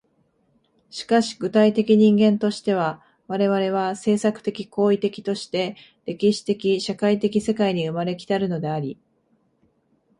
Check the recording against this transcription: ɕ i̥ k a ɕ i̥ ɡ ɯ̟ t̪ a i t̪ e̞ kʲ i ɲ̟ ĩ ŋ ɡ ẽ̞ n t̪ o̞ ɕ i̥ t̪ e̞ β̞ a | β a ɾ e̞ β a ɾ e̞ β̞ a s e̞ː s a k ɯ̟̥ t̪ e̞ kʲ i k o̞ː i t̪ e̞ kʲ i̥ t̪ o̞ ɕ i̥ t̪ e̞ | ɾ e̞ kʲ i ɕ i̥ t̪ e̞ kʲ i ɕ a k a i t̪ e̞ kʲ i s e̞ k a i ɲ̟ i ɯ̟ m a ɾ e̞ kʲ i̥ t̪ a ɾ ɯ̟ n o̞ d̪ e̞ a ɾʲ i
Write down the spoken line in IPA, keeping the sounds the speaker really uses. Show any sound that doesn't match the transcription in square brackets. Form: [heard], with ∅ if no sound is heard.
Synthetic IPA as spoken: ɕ i̥ k a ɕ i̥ ɡ ɯ̟ t̪ a i t̪ e̞ kʲ i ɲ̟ ĩ ŋ ɡ ẽ̞ n t̪ o̞ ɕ i̥ t̪ e̞ β̞ a | β a ɾ e̞ β a ɾ e̞ β̞ a s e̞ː s a k ɯ̟̥ t̪ e̞ kʲ i k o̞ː i t̪ e̞ kʲ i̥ t̪ o̞ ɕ i̥ t̪ e̞ | ɾ e̞ kʲ i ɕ i̥ t̪ e̞ kʲ i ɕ a k a i t̪ e̞ kʲ i s e̞ k a i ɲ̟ i ɯ̟ m a ɾ e̞ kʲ i̥ t̪ a ɾ ɯ̟ n o̞ d̪ e̞ a ɾʲ i